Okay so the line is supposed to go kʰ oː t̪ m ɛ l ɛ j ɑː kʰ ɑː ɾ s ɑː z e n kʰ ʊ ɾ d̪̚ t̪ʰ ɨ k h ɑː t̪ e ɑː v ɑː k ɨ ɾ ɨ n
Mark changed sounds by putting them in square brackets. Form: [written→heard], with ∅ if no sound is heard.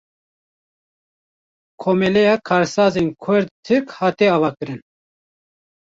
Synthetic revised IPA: kʰ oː [t̪→∅] m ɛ l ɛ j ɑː kʰ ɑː ɾ s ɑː z e n kʰ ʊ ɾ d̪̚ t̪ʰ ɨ k h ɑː t̪ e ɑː v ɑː k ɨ ɾ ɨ n